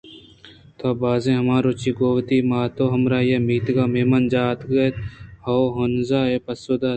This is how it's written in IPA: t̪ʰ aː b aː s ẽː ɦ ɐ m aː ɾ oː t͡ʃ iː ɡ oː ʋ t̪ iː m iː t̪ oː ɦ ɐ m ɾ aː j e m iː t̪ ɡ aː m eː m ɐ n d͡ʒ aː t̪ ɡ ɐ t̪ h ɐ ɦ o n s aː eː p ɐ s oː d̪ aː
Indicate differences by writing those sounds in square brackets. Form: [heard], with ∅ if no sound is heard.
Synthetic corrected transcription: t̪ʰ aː b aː [z] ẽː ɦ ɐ m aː ɾ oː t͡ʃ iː ɡ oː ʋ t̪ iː m [aː] t̪ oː ɦ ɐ m ɾ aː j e m iː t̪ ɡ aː m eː m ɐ n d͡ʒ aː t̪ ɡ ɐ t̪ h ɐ ɦ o n [z] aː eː p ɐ s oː d̪ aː